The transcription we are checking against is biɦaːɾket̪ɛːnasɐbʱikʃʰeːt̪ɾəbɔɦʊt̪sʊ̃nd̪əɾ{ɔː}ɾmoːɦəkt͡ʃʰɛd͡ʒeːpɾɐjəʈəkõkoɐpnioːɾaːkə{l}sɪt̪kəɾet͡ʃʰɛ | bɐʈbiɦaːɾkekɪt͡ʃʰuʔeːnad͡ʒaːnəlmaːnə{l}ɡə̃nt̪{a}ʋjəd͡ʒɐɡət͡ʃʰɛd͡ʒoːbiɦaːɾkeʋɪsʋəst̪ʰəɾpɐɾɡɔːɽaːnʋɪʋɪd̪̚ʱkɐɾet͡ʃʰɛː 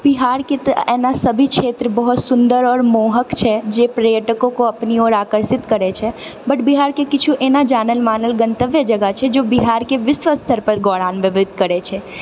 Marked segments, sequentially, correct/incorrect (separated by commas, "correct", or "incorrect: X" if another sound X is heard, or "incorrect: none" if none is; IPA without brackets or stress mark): correct, incorrect: ɾ, correct, incorrect: ə